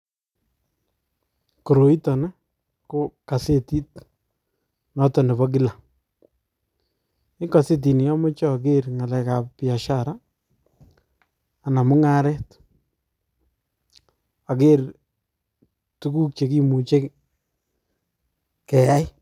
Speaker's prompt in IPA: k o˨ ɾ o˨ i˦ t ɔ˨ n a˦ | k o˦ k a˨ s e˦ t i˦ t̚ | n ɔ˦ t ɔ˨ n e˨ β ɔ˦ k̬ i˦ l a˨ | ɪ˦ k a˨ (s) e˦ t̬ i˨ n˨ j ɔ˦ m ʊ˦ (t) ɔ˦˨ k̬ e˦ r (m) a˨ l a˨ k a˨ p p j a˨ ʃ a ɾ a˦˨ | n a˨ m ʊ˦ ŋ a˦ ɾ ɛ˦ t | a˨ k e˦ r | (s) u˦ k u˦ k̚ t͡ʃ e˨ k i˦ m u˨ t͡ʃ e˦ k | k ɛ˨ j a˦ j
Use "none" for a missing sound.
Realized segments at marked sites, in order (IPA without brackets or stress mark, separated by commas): s, t͡ʃ, ŋ, t